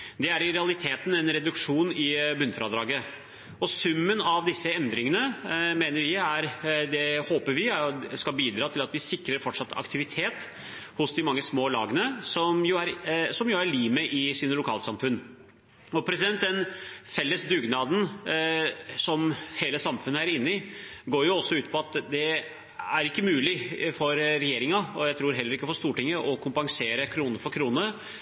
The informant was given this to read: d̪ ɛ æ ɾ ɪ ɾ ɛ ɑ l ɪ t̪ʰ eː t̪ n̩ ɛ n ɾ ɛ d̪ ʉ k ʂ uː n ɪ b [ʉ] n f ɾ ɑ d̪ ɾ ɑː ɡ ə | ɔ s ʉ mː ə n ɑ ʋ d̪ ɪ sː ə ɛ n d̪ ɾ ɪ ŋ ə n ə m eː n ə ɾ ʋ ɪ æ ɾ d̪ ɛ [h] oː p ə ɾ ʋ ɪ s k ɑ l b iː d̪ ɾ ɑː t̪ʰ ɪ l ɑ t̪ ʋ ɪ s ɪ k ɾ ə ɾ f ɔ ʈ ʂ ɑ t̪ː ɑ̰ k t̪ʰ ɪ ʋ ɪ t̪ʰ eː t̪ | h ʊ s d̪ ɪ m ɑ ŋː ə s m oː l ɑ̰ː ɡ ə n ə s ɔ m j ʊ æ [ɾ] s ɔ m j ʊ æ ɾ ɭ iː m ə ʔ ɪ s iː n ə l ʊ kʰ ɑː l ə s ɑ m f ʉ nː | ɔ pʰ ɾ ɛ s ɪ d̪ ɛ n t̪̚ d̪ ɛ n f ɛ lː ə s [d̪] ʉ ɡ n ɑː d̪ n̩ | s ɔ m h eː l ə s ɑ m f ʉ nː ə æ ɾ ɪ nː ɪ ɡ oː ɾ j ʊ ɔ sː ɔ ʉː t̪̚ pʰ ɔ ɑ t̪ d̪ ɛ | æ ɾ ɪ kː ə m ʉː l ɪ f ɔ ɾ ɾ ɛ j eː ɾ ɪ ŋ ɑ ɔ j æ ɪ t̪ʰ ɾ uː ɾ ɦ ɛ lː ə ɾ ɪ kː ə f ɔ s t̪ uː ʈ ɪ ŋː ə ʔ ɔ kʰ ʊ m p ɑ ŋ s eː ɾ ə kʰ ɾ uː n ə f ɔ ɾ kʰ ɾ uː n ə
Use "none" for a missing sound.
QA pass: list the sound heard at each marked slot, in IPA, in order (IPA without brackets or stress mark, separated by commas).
ʉ, h, ɾ, d̪